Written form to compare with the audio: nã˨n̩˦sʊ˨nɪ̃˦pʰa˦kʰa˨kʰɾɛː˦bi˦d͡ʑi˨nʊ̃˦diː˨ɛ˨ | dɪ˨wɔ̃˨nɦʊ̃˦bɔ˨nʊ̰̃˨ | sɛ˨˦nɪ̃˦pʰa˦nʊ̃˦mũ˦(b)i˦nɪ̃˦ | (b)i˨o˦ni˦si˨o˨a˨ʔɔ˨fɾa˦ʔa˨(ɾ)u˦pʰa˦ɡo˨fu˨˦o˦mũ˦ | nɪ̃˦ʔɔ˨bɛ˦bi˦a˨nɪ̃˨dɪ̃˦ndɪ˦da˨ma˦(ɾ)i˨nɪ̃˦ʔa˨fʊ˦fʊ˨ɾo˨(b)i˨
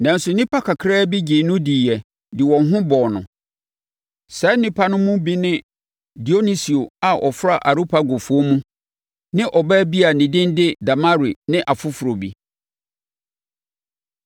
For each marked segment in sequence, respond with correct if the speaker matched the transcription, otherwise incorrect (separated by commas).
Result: correct, incorrect, correct, correct, correct